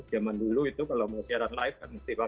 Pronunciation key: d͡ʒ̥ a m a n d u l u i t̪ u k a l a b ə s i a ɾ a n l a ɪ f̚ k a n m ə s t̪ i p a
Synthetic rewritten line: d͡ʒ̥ a m a n d u l u i t̪ u k a l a m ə s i a ɾ a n l a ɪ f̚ k a n m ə s t̪ i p a